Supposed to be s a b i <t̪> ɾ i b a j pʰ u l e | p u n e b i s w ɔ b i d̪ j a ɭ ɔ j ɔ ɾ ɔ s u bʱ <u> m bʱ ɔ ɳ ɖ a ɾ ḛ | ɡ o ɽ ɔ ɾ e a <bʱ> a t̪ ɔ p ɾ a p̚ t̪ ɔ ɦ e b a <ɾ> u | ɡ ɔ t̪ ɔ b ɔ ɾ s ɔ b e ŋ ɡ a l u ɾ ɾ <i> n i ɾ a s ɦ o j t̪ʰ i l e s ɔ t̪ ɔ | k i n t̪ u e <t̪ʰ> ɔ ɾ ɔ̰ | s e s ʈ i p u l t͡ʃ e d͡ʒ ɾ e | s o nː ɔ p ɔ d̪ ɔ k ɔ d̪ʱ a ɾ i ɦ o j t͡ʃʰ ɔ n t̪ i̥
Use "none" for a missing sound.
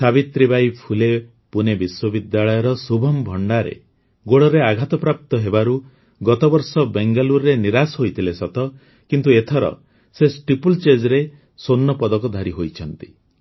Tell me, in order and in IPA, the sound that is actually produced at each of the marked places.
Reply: t̪, ɔ, ɡʱ, ɾ, e, t̪ʰ

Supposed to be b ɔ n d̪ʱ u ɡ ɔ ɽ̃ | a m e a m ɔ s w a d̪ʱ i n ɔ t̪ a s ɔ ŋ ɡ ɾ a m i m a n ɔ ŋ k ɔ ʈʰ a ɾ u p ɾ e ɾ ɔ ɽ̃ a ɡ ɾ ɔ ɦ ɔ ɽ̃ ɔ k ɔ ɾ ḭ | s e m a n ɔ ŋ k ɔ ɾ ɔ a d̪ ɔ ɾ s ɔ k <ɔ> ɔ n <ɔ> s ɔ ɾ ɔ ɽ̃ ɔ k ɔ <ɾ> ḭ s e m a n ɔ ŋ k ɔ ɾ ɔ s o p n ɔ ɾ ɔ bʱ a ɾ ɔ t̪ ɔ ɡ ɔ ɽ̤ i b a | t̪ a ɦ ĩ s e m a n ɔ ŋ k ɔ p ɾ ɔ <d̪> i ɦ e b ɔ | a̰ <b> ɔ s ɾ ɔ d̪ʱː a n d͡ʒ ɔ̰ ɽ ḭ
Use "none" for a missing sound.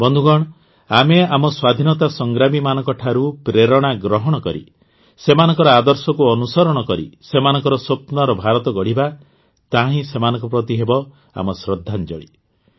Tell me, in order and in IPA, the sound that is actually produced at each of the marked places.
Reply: u, u, ɾ, t̪, m

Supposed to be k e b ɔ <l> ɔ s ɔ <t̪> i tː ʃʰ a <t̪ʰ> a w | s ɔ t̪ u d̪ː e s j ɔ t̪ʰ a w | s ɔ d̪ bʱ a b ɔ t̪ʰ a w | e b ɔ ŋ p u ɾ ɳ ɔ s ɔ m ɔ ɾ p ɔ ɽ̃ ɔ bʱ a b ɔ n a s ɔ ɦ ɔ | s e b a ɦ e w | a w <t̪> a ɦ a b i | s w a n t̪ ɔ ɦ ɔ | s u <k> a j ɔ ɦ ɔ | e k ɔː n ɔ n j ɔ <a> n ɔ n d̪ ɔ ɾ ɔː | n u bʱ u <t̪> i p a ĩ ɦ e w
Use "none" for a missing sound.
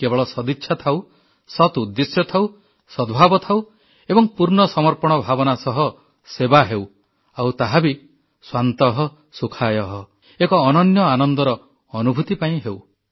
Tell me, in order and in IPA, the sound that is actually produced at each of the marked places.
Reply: ɭ, d̪, t̪ʰ, t̪, kʰ, a, t̪

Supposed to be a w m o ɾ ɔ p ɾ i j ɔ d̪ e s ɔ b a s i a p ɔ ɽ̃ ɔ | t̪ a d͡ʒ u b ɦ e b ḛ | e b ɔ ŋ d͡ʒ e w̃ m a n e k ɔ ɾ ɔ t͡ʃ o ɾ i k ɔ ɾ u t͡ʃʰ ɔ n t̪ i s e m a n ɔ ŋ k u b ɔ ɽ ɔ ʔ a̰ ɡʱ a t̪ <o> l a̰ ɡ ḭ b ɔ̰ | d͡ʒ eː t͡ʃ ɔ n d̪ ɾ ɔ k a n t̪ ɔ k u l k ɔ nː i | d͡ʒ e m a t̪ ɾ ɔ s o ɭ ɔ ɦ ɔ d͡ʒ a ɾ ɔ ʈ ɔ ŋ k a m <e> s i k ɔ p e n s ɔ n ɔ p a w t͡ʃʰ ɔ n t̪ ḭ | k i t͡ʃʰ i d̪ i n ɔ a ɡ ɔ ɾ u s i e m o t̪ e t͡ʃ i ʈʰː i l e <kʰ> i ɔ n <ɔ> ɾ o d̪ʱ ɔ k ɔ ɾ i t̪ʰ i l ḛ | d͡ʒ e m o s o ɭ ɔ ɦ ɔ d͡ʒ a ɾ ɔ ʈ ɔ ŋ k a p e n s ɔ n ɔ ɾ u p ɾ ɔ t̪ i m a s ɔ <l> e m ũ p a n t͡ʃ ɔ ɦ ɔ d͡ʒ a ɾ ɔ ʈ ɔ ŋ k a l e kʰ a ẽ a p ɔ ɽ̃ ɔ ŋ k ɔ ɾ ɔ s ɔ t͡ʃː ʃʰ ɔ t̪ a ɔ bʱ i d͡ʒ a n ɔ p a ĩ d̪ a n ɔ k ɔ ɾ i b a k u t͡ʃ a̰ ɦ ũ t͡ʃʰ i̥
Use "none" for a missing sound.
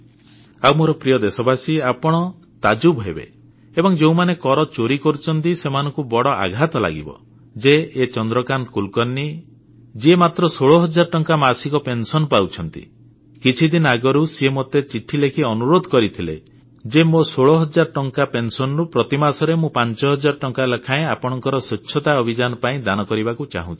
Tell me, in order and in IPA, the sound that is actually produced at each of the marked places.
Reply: ɔ, a, kʰ, u, ɾ

